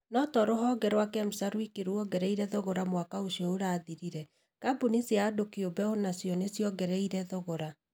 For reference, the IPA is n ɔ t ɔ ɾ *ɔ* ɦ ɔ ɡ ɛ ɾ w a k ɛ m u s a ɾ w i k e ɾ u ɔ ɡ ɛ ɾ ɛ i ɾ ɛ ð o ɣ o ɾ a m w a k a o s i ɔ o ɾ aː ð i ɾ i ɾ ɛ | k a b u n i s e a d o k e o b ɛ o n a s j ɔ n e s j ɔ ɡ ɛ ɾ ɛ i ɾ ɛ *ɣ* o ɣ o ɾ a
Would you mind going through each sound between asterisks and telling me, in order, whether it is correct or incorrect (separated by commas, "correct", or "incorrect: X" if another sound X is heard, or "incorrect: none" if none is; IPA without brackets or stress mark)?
incorrect: o, incorrect: ð